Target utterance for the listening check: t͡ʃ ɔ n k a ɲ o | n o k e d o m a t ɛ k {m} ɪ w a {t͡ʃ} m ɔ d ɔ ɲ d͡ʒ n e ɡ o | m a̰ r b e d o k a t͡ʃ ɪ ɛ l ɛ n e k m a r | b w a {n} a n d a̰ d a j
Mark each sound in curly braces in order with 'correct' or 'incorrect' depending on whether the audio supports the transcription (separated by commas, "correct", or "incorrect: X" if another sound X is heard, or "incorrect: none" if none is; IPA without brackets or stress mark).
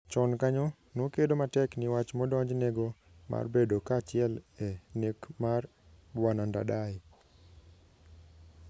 incorrect: n, correct, correct